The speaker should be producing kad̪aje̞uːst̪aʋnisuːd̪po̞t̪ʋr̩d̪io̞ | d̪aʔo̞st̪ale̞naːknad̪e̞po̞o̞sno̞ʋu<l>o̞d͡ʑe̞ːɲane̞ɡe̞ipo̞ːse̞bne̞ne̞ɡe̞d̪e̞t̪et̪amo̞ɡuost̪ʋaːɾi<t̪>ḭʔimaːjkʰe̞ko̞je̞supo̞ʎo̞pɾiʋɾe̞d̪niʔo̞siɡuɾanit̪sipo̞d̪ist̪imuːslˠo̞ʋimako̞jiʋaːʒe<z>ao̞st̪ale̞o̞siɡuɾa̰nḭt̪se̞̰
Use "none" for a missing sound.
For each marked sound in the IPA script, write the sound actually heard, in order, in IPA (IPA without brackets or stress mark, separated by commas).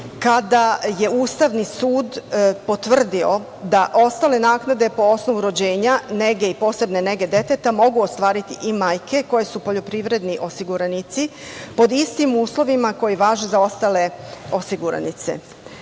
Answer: ɾ, t̪, z